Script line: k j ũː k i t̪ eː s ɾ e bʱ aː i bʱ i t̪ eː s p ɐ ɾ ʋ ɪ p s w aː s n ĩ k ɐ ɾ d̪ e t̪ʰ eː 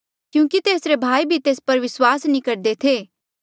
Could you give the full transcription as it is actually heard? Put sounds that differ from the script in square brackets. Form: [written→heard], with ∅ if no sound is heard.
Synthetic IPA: k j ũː k i t̪ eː s ɾ e bʱ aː i bʱ i t̪ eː s p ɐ ɾ ʋ ɪ [p→∅] s w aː s n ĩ k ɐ ɾ d̪ e t̪ʰ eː